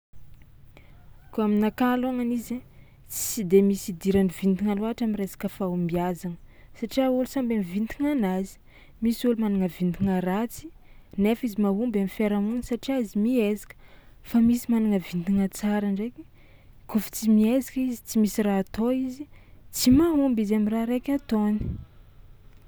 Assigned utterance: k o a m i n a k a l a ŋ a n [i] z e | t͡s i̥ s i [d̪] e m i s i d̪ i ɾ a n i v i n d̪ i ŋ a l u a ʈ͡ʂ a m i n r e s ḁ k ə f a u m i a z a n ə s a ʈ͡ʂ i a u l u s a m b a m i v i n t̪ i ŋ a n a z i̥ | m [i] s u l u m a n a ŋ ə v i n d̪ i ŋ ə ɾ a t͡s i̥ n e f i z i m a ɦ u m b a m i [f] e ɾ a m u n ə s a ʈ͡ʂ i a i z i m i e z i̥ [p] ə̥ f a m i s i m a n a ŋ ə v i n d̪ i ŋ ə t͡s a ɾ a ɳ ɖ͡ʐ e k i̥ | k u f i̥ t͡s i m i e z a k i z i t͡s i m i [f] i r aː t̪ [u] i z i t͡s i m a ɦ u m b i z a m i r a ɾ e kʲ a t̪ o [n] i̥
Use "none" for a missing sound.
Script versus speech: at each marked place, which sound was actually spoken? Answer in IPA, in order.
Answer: i, d̪, i, f, k, s, o, n

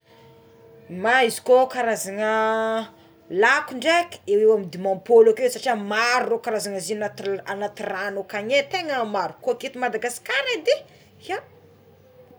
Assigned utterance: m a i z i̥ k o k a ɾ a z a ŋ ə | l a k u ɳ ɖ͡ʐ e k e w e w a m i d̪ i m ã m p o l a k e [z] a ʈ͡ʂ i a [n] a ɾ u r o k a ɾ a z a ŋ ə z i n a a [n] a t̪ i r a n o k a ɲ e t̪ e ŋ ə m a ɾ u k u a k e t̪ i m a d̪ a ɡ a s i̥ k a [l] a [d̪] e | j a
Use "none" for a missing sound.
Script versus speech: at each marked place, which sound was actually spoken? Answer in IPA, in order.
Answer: s, m, n, ɾ, d̪

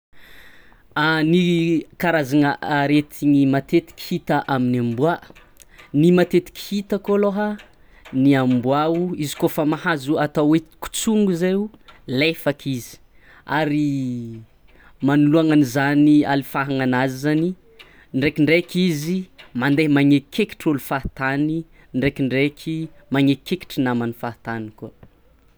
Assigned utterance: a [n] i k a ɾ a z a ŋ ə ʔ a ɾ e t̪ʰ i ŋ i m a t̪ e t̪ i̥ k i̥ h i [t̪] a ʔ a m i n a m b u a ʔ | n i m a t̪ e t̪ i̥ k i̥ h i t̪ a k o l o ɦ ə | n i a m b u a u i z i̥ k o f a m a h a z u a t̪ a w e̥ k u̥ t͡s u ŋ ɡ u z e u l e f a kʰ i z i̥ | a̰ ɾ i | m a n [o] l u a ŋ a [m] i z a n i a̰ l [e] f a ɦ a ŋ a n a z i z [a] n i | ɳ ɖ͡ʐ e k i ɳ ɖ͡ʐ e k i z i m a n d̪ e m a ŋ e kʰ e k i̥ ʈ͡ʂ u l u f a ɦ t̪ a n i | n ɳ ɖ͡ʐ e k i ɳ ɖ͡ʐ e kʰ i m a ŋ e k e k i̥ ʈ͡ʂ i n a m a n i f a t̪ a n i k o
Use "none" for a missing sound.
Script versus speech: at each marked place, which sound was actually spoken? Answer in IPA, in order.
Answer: n, t̪, u, n, i, a

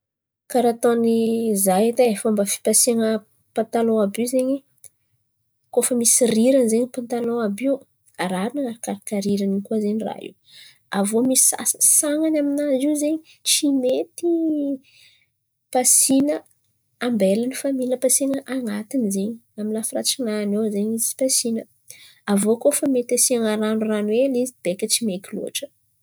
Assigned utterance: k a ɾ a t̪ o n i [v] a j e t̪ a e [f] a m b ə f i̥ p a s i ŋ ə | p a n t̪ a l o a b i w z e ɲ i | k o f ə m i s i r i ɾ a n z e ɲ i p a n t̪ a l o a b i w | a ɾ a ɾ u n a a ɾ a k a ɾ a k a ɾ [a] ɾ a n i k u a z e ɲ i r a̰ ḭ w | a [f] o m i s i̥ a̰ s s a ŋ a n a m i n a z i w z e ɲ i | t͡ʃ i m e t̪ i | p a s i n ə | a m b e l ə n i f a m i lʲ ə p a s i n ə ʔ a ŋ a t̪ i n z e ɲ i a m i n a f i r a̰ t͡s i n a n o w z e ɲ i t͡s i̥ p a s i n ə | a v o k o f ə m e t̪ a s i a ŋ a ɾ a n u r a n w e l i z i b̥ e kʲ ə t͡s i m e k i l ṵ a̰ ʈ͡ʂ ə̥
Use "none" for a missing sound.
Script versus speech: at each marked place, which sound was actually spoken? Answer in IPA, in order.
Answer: z, f, i, v

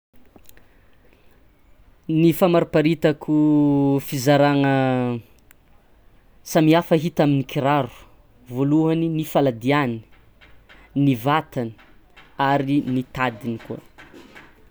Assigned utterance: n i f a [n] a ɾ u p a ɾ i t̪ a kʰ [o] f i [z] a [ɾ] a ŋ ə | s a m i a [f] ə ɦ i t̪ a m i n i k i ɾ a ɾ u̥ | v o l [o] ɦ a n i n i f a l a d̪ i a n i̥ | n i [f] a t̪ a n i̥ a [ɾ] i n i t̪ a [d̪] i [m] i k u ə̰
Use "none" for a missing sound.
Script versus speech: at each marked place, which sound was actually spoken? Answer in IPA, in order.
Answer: m, u, z, ɾ, f, u, v, ɾ, d̪, n

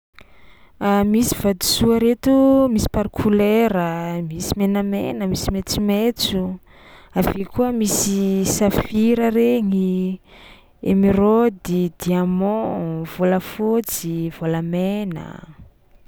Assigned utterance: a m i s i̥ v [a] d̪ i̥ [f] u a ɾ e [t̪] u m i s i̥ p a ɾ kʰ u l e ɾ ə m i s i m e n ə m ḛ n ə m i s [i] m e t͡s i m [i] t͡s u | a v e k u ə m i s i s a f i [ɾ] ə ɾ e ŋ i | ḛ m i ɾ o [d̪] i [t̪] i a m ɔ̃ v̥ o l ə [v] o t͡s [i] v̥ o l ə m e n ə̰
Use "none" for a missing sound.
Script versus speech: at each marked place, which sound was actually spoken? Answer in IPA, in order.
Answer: a, s, t̪, i, e, ɾ, d̪, d̪, f, i

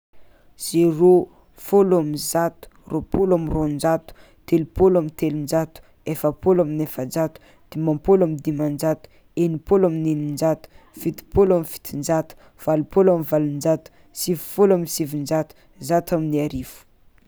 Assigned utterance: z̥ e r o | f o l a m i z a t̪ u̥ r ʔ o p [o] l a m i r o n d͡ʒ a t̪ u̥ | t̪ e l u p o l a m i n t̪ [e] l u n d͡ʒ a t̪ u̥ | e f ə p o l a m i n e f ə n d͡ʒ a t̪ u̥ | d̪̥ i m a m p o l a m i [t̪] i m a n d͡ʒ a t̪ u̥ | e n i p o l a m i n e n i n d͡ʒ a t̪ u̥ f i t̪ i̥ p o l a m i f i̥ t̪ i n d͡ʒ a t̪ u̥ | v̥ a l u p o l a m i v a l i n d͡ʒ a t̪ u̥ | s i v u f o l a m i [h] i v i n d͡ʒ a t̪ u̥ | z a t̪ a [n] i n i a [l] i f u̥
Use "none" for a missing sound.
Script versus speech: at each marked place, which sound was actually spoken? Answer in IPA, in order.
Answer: o, e, d̪, s, m, ɾ

